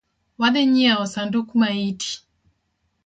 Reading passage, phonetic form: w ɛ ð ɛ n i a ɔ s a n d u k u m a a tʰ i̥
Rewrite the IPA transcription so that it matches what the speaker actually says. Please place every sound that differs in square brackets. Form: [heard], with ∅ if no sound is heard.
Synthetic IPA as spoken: w [a] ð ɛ [ɲ] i a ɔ s a n d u k u m a [i] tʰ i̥